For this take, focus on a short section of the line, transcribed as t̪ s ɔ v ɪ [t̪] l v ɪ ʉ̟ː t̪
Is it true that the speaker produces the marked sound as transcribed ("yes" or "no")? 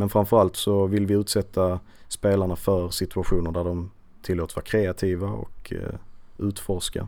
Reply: no